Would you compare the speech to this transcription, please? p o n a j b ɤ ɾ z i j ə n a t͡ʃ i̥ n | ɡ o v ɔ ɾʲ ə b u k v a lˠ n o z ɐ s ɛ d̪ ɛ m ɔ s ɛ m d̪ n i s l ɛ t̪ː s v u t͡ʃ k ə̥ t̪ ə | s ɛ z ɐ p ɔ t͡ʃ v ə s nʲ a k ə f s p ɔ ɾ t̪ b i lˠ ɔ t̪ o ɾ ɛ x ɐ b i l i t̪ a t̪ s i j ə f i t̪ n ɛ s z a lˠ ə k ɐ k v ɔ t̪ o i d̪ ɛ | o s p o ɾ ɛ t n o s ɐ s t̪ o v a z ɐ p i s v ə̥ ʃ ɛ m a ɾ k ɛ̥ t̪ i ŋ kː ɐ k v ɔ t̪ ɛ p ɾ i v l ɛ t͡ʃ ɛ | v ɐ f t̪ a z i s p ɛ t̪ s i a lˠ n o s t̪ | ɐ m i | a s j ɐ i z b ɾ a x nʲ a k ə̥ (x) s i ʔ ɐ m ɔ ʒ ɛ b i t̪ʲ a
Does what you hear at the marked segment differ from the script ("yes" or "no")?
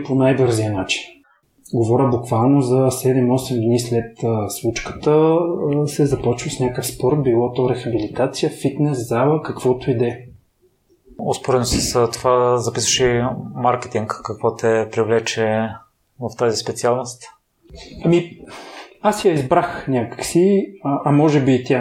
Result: yes